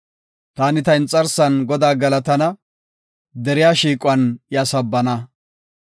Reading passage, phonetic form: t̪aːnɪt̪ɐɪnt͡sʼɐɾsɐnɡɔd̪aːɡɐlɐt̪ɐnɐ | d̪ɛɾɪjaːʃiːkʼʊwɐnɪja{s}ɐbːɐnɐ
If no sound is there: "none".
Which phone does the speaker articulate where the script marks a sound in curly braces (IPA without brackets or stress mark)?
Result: s